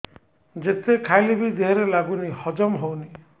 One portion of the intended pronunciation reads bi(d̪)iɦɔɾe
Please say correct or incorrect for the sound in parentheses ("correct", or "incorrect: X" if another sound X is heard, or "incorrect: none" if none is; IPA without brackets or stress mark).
correct